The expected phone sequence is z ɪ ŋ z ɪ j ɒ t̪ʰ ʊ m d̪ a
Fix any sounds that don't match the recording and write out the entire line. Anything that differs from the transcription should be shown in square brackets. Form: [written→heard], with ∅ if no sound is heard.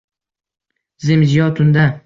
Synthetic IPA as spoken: z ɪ [ŋ→m] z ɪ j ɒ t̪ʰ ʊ [m→n] d̪ a